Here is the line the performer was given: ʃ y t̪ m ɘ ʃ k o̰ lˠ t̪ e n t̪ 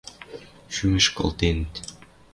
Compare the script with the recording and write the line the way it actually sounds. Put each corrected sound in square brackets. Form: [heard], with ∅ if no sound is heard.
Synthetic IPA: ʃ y [∅] m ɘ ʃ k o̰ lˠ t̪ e n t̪